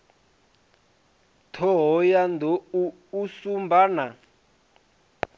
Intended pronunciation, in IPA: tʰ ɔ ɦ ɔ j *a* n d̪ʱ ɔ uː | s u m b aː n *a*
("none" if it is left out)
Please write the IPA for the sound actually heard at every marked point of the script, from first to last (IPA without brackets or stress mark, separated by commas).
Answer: a, a